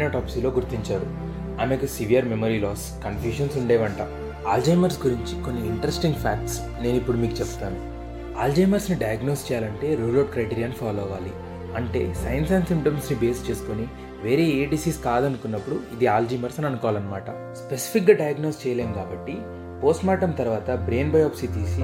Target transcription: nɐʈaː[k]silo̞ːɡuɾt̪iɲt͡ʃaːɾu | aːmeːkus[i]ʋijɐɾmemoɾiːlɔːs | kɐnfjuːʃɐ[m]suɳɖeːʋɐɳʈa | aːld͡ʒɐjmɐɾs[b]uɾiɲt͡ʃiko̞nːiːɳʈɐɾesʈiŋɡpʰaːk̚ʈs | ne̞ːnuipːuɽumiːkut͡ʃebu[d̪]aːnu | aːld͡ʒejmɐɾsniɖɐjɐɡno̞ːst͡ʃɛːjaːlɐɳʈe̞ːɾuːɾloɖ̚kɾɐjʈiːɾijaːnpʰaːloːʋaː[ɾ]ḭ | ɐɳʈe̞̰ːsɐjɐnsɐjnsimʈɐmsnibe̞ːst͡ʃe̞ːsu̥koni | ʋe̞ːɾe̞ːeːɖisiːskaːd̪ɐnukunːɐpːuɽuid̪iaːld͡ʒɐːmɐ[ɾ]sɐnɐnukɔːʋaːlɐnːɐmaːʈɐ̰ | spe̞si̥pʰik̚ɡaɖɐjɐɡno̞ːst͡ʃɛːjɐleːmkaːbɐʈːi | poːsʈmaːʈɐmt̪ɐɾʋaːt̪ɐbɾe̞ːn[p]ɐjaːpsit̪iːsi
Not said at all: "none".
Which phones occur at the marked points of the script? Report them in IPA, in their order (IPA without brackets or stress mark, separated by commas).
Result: p, i, n, ɡ, t̪, l, ɾ, b